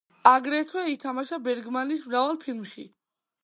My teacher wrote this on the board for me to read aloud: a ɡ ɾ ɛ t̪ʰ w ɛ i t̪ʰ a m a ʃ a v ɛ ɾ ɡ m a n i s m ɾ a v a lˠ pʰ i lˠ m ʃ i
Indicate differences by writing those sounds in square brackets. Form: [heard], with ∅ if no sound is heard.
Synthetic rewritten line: a ɡ ɾ ɛ t̪ʰ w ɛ i t̪ʰ a m a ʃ a [b] ɛ ɾ ɡ m a n i s m ɾ a v a lˠ pʰ i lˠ m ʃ i